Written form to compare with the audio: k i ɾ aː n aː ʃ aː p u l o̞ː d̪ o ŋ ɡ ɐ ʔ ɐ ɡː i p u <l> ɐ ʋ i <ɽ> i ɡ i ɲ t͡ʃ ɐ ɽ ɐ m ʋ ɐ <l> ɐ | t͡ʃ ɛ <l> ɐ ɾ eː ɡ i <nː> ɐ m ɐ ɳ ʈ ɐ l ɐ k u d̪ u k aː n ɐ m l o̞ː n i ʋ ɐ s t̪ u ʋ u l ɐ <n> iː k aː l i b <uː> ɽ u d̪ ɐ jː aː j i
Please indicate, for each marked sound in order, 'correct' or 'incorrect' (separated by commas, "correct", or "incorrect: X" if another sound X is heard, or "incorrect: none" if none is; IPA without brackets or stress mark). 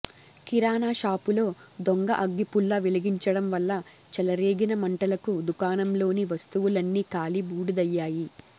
incorrect: lː, incorrect: l, incorrect: lː, correct, incorrect: n, incorrect: nː, correct